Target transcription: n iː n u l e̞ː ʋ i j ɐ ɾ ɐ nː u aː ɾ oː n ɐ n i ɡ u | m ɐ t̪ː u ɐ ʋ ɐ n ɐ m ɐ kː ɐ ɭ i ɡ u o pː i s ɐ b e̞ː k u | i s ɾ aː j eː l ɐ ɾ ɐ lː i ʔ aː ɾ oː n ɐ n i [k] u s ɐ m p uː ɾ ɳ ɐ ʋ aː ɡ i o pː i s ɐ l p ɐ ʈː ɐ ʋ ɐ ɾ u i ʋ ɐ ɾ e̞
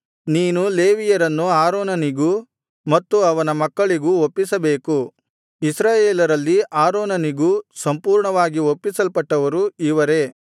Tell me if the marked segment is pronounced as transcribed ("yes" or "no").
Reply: no